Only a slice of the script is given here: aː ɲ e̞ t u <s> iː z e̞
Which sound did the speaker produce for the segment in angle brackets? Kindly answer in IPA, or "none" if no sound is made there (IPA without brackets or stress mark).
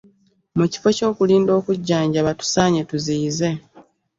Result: z